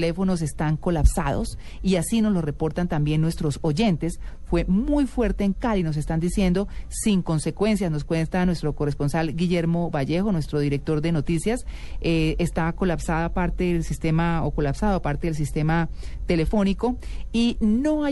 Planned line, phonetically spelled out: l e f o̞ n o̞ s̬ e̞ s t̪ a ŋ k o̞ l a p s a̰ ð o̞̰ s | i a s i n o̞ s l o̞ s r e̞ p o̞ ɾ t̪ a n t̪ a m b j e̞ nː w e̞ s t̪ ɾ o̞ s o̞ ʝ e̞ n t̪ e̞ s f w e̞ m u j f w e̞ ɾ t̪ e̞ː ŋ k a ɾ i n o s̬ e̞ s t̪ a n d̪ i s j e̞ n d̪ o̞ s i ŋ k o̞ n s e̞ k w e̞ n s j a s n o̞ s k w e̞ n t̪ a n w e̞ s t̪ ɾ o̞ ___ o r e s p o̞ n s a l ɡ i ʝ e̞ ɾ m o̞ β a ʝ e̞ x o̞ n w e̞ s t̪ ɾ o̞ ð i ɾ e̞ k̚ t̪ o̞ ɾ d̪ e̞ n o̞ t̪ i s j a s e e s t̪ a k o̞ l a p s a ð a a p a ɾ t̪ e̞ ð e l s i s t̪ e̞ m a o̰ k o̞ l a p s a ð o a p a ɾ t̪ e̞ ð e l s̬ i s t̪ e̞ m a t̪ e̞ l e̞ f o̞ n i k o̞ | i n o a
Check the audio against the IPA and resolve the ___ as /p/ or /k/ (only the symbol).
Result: k